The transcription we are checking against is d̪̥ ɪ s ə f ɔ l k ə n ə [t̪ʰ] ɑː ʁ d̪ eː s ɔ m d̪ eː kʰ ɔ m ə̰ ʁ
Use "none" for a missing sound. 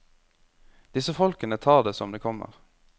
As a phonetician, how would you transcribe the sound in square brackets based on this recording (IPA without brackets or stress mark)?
t̪ʰ